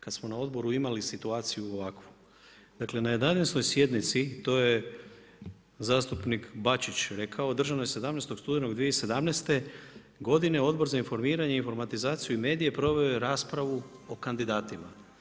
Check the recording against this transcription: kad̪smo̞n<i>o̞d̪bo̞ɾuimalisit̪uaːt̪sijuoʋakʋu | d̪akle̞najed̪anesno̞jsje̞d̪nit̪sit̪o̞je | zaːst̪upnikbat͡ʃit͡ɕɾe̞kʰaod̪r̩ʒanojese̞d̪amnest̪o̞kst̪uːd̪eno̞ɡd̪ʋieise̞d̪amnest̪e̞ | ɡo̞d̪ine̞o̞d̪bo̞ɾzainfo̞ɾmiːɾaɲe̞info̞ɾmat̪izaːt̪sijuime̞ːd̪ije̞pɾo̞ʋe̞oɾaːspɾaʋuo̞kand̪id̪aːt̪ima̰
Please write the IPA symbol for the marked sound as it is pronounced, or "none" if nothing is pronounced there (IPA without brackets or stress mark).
a